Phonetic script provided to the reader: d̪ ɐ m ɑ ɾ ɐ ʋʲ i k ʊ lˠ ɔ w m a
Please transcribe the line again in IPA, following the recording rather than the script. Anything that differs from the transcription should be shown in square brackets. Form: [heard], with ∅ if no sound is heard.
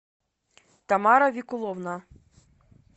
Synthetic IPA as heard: [t̪] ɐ m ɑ ɾ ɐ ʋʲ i k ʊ lˠ ɔ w [n] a